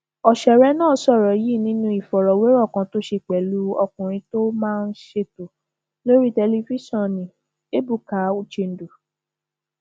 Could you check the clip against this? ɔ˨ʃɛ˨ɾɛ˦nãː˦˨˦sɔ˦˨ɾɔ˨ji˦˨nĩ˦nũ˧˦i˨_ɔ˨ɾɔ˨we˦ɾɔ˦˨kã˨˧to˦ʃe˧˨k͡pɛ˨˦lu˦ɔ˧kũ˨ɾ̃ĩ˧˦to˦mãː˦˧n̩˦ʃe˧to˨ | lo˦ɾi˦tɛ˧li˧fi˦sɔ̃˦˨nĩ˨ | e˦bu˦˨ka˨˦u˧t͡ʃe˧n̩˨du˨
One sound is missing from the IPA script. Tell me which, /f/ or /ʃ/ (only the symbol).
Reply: f